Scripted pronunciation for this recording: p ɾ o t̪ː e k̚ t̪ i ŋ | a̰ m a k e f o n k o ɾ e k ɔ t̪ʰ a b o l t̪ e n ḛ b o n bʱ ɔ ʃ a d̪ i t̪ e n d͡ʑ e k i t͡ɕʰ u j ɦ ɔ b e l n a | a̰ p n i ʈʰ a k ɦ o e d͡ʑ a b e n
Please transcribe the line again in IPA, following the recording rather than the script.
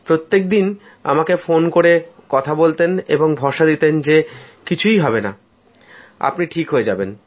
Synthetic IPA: p ɾ o t̪ː e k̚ d̪ i n | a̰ m a k e f o n k o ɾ e k ɔ t̪ʰ a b o l t̪ e n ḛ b o ŋ bʱ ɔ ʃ a d̪ i t̪ e n d͡ʑ e k i t͡ɕʰ u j ɦ ɔ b e n a | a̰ p n i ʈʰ i k ɦ o e d͡ʑ a b e n